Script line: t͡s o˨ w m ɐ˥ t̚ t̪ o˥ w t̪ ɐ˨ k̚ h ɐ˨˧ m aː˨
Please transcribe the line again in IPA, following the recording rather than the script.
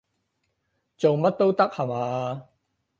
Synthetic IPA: t͡s o˨ w m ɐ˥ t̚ t̪ o˥ w t̪ ɐ˥ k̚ h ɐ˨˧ m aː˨